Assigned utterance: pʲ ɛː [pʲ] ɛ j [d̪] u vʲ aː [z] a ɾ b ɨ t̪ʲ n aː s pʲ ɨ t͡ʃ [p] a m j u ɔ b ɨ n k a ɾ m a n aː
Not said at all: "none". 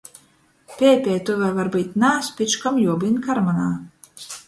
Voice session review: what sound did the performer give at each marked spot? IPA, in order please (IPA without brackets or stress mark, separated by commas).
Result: pʲ, t̪, v, k